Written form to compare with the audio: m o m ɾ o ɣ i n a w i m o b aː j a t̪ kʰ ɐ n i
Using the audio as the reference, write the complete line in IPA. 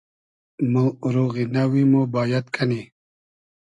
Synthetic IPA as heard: m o ɾ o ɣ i n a w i m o b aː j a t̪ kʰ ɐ n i